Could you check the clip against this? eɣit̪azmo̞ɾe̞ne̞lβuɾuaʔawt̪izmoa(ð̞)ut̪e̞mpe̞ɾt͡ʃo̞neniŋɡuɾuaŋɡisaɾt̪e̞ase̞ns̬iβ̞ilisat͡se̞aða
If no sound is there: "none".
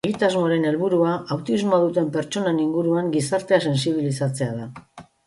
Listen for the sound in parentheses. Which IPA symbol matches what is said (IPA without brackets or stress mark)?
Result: ð̞